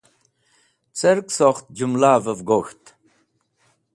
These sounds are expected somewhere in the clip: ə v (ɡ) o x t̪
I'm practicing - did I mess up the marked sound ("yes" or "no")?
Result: no